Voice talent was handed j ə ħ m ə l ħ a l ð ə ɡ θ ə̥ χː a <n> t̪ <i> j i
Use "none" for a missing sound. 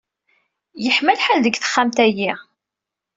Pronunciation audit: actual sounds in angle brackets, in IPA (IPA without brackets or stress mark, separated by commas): m, æ